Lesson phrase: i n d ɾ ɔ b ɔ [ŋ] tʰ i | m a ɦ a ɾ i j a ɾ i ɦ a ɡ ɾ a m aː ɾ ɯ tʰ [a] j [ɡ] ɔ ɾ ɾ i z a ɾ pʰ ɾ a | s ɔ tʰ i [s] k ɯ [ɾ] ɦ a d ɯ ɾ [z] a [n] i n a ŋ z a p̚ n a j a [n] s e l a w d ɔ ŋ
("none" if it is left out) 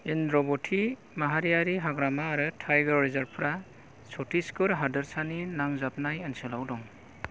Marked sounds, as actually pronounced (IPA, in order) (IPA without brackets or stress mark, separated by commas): none, a, ɡ, s, ɾ, s, n, n